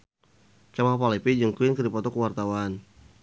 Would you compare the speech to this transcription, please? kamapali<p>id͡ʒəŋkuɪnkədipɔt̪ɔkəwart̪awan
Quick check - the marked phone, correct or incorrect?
correct